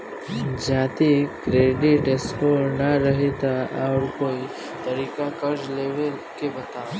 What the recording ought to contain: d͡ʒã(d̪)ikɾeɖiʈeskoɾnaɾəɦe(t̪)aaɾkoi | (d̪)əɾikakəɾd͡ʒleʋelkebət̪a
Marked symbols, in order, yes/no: no, yes, no

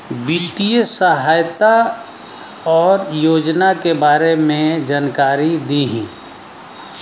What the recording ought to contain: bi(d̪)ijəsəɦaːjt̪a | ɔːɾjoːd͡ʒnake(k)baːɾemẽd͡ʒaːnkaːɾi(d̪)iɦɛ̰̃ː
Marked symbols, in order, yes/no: no, no, yes

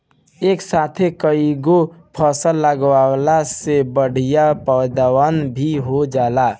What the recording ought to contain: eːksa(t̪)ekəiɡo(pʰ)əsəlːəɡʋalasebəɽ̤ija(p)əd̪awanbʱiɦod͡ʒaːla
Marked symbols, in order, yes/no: no, yes, yes

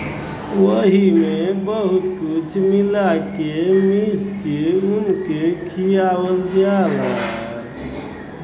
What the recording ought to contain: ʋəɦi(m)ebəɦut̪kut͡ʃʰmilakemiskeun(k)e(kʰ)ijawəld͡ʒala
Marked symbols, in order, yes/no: yes, yes, yes

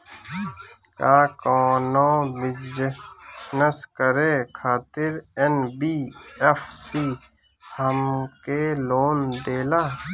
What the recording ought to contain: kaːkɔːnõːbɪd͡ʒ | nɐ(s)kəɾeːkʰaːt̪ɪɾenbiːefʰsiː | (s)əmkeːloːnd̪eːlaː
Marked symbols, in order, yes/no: yes, no

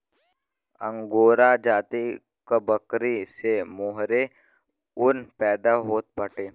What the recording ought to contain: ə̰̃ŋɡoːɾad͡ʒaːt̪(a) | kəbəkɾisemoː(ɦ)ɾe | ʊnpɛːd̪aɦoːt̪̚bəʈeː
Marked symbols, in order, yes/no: no, yes

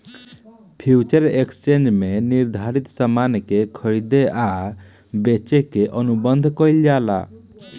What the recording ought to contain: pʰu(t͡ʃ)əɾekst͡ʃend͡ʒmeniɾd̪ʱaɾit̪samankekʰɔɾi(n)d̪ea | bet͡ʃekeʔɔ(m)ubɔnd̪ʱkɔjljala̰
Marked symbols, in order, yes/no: yes, no, no

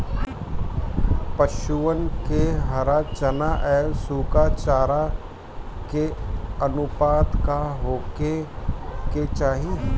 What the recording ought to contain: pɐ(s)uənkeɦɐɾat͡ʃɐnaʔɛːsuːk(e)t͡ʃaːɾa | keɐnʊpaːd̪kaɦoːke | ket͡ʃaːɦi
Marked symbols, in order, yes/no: no, no

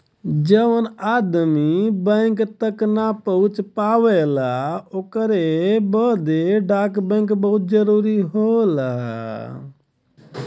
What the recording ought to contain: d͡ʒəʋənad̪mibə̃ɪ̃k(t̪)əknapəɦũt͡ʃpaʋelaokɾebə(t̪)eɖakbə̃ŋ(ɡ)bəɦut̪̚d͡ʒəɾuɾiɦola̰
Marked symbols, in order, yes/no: yes, no, no

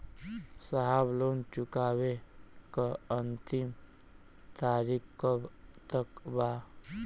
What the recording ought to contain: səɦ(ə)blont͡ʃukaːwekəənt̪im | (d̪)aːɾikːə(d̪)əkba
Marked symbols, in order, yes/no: no, no, no

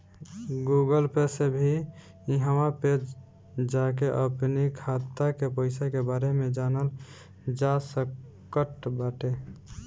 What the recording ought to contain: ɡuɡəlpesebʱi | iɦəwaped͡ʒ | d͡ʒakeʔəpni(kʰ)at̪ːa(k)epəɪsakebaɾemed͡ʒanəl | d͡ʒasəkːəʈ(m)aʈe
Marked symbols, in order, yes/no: yes, yes, no

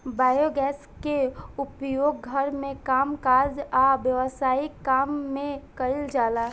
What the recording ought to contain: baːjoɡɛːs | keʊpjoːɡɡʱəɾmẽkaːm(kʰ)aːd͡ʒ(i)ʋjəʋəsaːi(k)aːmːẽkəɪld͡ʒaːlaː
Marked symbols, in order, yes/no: no, no, yes

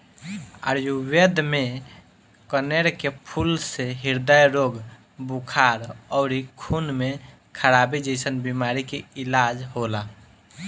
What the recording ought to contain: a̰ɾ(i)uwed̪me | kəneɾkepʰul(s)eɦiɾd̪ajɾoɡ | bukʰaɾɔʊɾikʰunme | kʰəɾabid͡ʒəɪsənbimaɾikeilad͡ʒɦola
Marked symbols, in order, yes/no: no, yes

